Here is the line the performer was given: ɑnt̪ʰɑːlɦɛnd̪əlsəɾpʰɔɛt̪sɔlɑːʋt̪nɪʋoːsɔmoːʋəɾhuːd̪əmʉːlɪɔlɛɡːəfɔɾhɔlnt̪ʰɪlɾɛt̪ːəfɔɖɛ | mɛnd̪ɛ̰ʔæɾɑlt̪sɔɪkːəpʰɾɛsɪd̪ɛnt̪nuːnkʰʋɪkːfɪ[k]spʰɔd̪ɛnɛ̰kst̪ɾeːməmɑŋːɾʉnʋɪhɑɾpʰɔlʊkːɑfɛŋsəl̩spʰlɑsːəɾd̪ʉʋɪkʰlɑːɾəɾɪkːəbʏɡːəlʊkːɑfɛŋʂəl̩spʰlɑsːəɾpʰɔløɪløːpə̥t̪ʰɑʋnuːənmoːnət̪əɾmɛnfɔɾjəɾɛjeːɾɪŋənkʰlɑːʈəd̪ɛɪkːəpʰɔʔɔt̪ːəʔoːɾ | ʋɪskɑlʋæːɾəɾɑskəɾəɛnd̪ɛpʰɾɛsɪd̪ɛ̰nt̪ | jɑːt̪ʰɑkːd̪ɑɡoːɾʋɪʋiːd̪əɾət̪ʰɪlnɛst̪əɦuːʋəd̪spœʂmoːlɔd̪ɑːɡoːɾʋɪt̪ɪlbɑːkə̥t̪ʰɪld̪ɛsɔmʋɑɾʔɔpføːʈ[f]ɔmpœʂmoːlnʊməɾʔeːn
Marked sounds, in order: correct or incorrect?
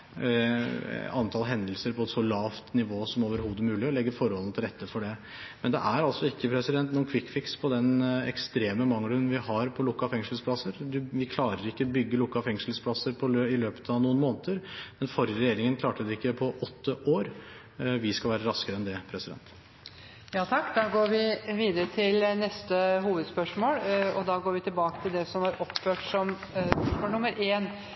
correct, incorrect: s

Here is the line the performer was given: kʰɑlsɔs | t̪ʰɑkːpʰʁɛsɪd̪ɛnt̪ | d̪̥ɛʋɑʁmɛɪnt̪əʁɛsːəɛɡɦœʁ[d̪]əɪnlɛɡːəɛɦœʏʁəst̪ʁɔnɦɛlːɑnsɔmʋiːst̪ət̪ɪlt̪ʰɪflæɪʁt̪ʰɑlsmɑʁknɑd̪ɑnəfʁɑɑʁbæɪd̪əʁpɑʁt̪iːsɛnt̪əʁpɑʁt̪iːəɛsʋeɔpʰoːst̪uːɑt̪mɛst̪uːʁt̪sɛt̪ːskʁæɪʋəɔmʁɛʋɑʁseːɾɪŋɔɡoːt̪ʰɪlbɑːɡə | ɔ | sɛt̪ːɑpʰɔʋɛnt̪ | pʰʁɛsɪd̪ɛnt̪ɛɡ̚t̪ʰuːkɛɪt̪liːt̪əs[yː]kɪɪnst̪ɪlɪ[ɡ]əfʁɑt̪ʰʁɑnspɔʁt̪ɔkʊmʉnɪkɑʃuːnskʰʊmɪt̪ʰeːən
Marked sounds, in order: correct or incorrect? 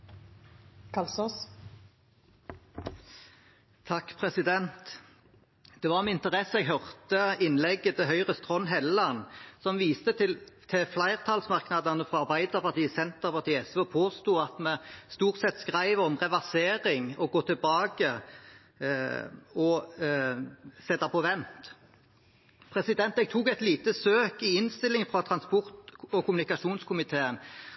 incorrect: t̪, incorrect: øː, incorrect: ŋ

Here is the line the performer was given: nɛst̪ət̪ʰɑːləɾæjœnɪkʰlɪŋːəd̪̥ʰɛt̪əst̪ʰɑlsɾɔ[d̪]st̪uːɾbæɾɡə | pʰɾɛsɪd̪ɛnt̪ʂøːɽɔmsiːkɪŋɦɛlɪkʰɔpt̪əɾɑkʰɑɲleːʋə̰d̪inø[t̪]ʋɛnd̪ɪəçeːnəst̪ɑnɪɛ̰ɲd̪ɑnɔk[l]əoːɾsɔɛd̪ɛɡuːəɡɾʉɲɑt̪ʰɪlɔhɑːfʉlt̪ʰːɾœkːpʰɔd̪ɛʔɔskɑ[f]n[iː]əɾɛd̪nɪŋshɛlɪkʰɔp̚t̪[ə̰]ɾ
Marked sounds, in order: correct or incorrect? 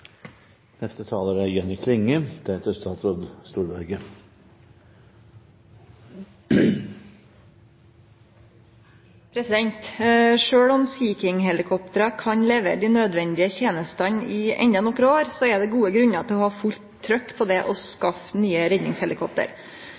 correct, incorrect: d̪, incorrect: ɾ, correct, incorrect: yː, correct

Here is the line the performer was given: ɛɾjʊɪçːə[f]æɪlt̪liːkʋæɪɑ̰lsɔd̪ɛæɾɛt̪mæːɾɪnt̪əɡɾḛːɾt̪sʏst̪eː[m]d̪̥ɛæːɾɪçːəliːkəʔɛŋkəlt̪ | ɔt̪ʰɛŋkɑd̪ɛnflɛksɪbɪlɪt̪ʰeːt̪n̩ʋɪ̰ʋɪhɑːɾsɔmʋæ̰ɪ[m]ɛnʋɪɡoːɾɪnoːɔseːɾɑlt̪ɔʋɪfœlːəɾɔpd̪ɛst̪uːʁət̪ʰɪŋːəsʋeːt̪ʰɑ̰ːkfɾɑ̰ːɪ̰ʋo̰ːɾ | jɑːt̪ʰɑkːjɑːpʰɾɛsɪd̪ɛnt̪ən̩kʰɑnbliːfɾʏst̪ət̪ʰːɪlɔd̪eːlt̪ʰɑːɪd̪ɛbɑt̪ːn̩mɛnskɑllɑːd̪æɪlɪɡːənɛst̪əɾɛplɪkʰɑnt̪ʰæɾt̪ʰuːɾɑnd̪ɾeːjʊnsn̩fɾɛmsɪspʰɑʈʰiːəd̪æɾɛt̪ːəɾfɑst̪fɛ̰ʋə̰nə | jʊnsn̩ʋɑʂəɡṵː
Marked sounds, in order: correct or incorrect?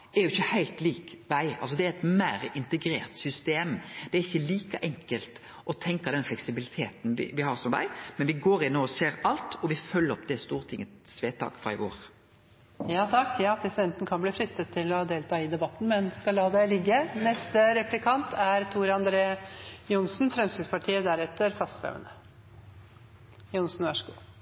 incorrect: h, correct, correct

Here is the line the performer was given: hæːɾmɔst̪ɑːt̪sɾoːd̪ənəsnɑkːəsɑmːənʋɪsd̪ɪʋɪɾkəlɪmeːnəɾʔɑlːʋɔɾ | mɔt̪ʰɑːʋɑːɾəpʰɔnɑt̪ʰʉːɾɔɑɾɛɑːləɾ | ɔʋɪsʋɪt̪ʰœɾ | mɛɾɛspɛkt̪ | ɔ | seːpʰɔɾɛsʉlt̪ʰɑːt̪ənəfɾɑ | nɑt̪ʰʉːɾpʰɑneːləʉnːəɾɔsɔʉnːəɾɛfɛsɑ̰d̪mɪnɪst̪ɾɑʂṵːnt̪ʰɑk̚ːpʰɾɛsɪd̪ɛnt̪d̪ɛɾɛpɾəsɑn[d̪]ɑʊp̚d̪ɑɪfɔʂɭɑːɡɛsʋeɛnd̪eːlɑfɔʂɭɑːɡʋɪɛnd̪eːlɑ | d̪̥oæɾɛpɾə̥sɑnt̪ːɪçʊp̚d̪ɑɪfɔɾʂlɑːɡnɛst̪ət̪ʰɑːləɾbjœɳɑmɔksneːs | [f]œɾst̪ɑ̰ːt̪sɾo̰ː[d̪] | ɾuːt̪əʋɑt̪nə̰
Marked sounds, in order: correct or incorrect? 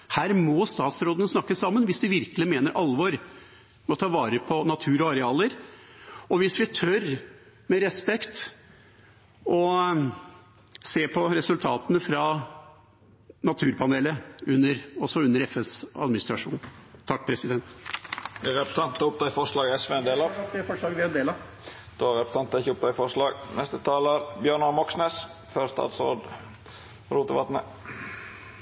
incorrect: t̪, correct, correct

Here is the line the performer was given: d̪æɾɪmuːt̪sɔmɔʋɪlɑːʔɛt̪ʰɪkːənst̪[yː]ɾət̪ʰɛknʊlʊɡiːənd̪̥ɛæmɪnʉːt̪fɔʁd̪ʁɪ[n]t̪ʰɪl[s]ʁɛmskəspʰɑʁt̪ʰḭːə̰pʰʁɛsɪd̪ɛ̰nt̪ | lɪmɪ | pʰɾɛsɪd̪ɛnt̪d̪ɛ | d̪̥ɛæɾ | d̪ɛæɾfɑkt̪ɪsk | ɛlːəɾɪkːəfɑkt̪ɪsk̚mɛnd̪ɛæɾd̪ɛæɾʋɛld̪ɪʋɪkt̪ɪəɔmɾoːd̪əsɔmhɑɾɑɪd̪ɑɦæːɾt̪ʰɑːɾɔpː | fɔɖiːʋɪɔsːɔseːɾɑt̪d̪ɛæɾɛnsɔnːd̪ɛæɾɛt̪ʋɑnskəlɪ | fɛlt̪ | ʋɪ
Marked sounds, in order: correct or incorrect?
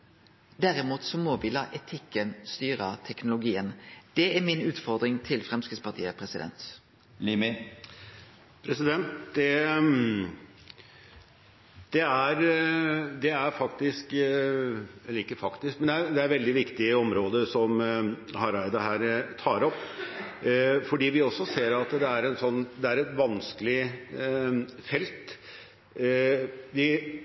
correct, incorrect: ŋ, incorrect: f

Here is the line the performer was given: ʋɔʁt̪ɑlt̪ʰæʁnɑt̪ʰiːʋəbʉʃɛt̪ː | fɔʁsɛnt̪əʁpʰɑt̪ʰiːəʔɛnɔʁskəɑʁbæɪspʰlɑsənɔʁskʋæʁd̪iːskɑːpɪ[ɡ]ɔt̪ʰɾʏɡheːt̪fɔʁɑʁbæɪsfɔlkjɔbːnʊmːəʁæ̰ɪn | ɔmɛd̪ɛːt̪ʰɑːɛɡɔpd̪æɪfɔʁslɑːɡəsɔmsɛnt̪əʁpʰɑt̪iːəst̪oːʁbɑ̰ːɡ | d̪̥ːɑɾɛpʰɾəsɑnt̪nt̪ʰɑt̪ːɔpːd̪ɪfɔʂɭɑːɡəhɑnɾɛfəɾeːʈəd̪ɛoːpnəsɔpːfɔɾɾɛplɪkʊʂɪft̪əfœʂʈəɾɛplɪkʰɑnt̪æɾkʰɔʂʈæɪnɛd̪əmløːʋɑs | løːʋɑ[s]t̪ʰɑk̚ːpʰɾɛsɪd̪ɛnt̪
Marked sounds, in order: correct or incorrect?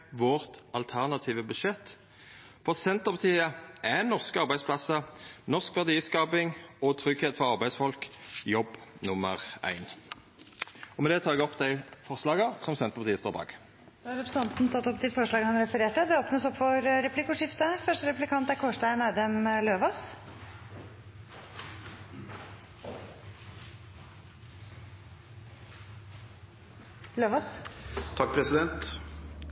incorrect: ŋ, correct

